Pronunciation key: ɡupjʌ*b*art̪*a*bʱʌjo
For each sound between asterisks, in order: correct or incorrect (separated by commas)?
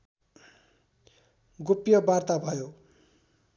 correct, correct